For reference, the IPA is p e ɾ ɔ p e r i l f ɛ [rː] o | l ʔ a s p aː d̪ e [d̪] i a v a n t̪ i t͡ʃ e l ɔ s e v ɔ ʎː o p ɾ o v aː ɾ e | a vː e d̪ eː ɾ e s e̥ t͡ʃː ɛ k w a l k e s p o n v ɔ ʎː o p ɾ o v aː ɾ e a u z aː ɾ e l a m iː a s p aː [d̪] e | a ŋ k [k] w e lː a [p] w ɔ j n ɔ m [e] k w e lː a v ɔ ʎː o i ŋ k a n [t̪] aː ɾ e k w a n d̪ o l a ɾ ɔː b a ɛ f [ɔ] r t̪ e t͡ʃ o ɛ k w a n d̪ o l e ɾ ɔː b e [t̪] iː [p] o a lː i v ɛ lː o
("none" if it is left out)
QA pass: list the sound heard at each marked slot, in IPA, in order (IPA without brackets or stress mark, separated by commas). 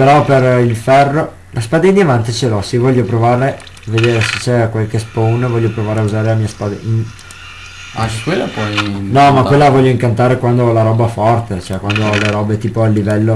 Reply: rː, d̪, d̪, k, p, a, t̪, ɔ, t̪, p